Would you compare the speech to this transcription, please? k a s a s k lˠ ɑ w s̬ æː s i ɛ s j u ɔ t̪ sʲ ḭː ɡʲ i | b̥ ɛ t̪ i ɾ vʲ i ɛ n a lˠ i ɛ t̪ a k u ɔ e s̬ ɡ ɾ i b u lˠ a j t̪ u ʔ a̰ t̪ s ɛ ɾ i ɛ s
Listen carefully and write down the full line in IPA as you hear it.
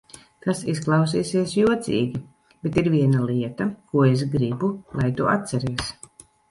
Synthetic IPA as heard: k a s i s k lˠ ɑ w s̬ iː s i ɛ s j u ɔ t̪ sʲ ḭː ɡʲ i | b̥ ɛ t̪ i ɾ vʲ i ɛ n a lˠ i ɛ t̪ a k u ɔ e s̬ ɡ ɾ i b u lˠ a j t̪ u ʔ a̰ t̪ s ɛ ɾ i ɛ s

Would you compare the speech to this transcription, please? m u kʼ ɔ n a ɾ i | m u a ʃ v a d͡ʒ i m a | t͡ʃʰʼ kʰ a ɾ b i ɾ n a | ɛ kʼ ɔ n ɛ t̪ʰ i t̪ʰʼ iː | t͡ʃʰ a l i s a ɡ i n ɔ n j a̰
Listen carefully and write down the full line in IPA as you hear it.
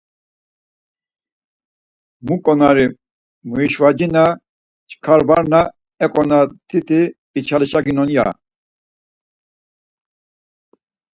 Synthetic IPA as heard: m u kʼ ɔ n a ɾ i | m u i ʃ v a d͡ʒ i n a | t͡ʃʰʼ kʰ a ɾ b a ɾ n a | ɛ kʼ ɔ n a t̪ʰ i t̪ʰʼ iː | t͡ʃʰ a l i ʃ a ɡ i n ɔ n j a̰

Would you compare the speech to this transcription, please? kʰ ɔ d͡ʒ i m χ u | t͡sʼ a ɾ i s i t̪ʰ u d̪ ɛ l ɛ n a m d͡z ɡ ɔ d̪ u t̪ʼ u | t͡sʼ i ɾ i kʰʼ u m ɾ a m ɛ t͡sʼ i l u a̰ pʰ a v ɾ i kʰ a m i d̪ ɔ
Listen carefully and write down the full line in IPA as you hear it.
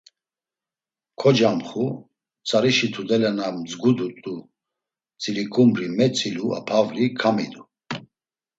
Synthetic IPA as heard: kʰ ɔ d͡ʒ a m χ u | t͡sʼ a ɾ i ʃ i t̪ʰ u d̪ ɛ l ɛ n a m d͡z ɡ u d̪ u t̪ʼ u | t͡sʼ i ɾ i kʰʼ u m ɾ i m ɛ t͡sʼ i l u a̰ pʰ a v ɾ i kʰ a m i d̪ u

